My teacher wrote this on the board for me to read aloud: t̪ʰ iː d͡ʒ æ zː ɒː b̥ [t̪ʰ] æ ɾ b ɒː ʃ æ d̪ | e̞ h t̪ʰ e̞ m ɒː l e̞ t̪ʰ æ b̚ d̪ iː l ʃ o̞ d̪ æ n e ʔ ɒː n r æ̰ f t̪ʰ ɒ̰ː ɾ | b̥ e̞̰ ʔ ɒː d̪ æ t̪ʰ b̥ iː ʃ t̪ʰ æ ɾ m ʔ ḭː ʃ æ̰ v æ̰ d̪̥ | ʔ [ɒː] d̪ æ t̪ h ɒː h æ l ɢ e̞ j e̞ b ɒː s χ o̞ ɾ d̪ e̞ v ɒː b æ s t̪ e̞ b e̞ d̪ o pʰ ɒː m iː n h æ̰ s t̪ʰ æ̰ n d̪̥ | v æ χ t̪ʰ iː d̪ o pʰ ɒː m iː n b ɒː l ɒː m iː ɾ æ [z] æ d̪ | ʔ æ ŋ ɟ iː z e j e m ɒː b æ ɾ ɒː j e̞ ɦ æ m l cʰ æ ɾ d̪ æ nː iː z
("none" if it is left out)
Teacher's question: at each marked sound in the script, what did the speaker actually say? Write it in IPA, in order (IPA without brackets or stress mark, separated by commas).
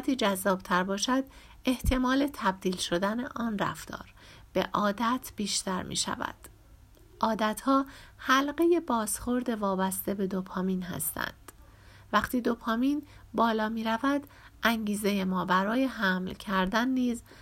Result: t̪ʰ, ɒː, v